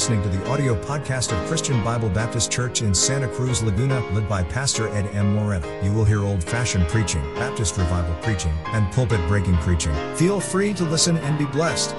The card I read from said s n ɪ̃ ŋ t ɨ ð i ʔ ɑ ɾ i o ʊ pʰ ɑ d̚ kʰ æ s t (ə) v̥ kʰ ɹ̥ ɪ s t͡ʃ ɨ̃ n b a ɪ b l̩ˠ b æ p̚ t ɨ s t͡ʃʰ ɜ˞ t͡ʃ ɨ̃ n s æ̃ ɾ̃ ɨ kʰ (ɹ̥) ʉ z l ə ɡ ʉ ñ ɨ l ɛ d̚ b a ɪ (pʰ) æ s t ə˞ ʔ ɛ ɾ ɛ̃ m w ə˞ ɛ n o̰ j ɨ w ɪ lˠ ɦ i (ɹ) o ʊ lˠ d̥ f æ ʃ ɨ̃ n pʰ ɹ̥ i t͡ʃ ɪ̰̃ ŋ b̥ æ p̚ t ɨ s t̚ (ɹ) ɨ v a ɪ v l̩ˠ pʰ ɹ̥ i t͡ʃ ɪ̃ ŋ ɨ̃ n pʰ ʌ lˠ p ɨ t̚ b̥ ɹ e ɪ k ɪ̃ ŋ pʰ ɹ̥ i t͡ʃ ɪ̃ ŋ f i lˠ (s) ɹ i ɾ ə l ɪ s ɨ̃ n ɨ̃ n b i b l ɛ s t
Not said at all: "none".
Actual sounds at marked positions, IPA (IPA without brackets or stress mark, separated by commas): ʌ, ɹ̥, pʰ, ɹ, ɹ, f